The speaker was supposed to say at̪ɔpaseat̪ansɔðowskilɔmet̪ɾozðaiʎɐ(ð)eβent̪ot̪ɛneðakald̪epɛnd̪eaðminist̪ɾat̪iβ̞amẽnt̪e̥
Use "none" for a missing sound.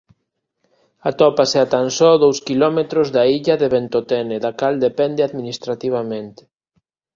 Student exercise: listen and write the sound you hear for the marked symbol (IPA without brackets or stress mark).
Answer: ð